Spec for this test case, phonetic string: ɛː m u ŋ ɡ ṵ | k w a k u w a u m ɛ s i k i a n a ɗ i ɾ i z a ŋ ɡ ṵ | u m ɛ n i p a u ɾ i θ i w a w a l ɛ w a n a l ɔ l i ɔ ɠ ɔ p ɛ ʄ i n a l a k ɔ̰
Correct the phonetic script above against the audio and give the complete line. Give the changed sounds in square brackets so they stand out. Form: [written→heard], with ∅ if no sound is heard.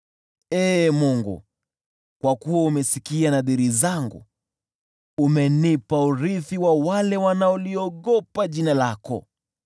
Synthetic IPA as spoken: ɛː m u ŋ ɡ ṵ | k w a k u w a u m ɛ s i k i a n a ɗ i ɾ i z a ŋ ɡ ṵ | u m ɛ n i p a u ɾ i θ i w a w a l ɛ w a n a [l→∅] ɔ l i ɔ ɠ ɔ p [ɛ→a] ʄ i n a l a k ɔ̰